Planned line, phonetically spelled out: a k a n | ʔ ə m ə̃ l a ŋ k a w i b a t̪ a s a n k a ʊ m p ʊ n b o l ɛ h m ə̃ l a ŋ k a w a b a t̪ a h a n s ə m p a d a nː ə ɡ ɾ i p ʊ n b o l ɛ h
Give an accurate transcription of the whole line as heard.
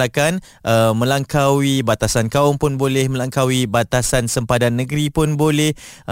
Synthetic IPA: a k a n | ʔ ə m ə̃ l a ŋ k a w i b a t̪ a s a n k a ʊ m p ʊ n b o l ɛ h m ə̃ l a ŋ k a w i b a t̪ a s a n s ə m p a d a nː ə ɡ ɾ i p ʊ n b o l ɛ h